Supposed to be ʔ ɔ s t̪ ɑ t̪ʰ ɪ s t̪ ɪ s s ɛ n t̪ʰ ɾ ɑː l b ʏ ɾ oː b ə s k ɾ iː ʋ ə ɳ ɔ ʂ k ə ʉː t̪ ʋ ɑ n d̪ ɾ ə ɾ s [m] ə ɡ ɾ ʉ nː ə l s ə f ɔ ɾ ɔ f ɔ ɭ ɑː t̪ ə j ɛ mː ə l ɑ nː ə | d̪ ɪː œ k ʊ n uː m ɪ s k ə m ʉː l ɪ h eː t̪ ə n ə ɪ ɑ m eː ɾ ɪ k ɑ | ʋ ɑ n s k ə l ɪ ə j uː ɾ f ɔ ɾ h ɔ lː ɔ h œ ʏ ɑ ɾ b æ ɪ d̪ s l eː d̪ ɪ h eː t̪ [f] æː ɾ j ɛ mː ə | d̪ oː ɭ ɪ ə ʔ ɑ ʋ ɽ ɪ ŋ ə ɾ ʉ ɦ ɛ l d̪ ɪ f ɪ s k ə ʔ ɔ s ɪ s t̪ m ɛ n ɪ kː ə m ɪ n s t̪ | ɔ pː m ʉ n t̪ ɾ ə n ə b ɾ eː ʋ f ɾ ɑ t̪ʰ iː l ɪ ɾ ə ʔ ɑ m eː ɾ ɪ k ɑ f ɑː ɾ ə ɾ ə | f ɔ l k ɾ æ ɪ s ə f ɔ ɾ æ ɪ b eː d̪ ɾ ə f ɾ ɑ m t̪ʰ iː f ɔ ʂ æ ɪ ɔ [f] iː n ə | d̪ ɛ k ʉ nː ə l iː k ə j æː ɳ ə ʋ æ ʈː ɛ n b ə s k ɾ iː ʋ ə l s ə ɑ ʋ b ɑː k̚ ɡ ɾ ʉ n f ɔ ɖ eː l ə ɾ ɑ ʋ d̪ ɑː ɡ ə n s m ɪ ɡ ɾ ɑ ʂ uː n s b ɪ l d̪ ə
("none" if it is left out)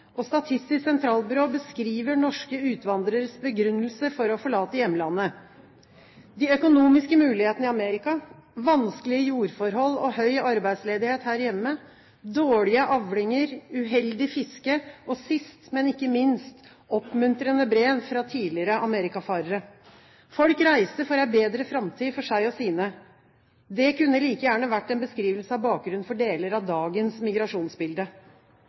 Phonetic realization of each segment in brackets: b, h, s

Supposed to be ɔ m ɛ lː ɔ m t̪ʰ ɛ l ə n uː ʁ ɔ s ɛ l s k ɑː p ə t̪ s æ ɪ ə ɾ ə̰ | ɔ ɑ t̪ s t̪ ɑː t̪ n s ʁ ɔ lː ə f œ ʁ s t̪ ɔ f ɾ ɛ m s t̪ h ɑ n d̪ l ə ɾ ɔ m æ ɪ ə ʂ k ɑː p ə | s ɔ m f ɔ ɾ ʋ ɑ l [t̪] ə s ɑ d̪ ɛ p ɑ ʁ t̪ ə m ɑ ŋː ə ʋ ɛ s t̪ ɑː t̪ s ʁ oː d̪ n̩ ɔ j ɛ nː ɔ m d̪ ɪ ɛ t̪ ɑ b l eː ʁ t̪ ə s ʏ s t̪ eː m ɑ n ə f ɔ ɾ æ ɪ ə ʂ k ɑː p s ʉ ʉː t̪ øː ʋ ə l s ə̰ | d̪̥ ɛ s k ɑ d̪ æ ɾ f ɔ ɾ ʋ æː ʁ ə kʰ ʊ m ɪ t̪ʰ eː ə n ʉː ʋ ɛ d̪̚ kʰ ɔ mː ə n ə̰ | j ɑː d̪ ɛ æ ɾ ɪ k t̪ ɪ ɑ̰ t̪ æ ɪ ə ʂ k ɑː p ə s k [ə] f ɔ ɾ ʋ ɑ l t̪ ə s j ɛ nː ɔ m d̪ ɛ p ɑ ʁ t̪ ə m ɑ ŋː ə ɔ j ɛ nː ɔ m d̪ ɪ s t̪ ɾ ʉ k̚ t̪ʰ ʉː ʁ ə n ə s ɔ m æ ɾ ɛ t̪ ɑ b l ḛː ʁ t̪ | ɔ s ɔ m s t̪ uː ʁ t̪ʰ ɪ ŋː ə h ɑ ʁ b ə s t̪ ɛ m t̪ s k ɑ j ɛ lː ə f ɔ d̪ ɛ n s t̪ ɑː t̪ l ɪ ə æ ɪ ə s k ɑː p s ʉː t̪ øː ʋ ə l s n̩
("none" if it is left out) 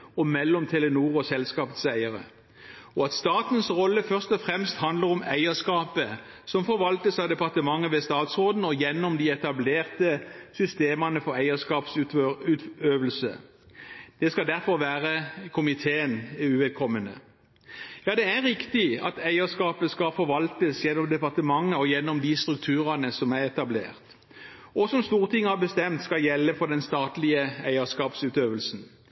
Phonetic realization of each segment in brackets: t̪, ɑ

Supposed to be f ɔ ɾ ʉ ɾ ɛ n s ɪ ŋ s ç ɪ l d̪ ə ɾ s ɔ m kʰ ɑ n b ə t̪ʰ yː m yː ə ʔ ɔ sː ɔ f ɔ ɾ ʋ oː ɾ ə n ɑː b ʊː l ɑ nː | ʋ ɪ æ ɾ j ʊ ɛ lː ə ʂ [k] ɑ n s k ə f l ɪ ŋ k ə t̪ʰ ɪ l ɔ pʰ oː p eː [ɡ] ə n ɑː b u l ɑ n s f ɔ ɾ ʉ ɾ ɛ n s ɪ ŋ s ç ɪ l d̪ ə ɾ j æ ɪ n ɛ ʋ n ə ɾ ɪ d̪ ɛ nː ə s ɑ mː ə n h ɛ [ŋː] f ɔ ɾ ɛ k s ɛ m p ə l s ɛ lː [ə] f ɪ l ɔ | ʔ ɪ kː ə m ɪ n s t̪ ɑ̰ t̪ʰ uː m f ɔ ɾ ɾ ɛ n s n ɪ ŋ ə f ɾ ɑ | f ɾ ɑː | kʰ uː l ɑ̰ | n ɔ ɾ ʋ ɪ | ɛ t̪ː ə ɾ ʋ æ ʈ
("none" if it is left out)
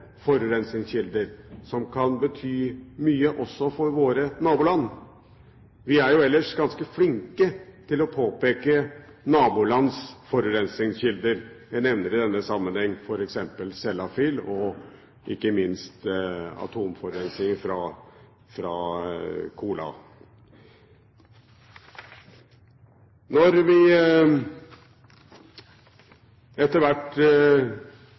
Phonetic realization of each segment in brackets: ɡ, k, ŋː, ɑ

